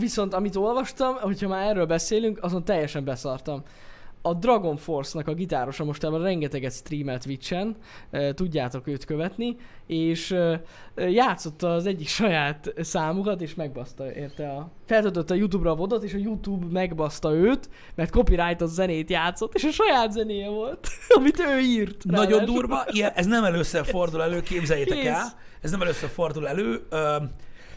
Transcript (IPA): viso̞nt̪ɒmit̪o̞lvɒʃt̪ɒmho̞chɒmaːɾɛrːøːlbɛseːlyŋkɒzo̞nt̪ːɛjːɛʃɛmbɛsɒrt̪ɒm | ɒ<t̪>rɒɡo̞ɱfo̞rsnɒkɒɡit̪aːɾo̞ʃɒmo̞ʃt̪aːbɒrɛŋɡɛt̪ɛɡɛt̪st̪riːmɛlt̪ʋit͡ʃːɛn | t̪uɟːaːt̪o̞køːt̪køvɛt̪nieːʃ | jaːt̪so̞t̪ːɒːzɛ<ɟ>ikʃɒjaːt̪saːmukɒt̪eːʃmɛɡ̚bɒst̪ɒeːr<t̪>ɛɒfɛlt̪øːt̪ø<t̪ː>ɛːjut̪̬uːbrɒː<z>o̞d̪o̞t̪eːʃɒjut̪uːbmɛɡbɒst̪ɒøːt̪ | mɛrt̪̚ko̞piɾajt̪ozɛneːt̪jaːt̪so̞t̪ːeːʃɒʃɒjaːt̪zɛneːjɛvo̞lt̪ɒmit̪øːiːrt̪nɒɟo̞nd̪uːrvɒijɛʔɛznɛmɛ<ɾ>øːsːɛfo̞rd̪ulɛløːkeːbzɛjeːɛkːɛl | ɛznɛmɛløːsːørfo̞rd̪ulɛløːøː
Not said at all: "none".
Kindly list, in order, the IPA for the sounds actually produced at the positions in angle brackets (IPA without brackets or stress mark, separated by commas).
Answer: d̪, ɟː, t̪, t̪ː, v, l